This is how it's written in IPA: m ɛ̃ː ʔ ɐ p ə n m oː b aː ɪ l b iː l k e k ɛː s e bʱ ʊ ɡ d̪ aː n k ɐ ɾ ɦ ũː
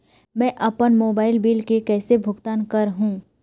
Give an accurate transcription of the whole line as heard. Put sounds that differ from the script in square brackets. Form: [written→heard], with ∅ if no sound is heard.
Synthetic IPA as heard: m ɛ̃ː ʔ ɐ p ə n m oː b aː ɪ l b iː l k e k ɛː s e bʱ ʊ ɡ [d̪→t̪] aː n k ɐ ɾ ɦ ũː